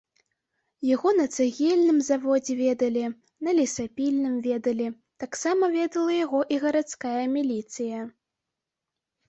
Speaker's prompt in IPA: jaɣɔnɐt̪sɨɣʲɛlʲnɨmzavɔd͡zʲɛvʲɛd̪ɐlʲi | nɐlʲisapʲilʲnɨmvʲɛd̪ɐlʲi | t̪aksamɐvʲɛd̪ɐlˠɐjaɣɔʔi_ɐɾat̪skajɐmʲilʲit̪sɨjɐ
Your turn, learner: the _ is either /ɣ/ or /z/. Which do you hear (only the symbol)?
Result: ɣ